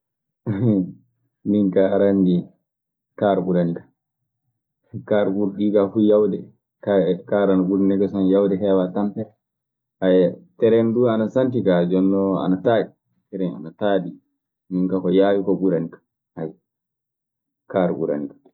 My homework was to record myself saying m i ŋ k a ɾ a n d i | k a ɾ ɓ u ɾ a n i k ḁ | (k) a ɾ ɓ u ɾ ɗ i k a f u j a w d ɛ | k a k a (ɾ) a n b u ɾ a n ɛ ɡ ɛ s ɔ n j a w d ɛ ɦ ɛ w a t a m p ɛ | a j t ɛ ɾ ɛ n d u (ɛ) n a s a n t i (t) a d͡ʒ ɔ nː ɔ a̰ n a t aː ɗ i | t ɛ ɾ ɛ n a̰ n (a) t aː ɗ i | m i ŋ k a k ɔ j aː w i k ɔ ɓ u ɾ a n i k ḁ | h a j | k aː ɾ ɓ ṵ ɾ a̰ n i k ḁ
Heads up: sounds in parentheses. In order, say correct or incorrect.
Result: correct, correct, incorrect: a, incorrect: k, correct

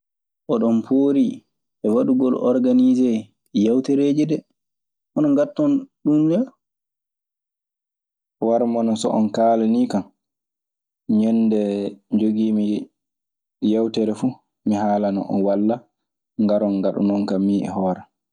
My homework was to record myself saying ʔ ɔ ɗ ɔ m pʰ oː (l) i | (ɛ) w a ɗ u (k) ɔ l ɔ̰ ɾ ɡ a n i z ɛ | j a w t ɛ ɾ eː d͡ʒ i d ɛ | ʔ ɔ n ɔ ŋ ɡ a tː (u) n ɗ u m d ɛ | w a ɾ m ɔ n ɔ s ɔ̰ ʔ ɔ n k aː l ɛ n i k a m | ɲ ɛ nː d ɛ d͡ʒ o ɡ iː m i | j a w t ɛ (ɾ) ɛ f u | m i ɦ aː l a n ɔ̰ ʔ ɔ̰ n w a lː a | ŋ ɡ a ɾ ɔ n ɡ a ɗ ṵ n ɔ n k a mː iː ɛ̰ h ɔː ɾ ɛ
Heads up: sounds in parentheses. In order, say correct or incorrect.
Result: incorrect: ɾ, correct, incorrect: ɡ, incorrect: ɔ, correct

